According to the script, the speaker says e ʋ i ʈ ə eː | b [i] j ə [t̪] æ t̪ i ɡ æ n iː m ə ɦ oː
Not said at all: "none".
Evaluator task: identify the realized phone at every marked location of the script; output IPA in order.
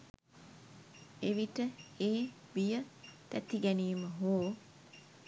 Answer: i, t̪

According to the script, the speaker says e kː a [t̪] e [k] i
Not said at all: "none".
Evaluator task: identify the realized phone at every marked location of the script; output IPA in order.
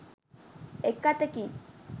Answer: t̪, k

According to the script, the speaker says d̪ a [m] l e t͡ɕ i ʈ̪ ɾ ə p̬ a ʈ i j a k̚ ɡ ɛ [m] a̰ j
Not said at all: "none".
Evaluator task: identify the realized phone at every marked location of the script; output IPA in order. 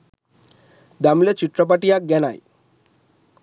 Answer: m, n

